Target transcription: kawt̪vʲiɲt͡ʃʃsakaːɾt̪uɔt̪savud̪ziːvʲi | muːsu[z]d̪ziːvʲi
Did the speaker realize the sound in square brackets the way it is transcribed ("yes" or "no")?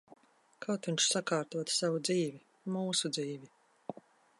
no